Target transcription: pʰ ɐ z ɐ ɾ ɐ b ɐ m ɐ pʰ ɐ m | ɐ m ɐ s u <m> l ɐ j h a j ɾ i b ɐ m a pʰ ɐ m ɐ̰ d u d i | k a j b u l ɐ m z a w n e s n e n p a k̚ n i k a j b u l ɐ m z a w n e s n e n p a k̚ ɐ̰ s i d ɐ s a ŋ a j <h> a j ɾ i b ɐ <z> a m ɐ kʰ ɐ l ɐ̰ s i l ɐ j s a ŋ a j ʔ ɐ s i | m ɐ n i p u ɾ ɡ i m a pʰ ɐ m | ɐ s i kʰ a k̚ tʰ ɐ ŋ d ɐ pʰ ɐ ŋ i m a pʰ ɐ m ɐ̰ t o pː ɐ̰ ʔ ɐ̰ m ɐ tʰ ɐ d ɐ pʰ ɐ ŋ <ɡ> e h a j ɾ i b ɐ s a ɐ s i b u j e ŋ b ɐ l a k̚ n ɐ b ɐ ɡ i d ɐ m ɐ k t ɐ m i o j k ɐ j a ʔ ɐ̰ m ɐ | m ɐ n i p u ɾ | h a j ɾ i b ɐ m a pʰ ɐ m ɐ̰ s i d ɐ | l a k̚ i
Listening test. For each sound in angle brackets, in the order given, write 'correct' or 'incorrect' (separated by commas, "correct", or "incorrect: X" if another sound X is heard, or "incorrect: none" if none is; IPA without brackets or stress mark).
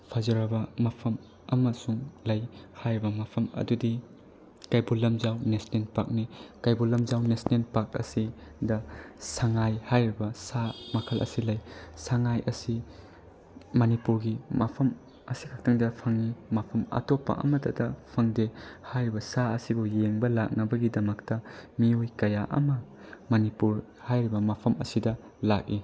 incorrect: ŋ, correct, incorrect: s, incorrect: d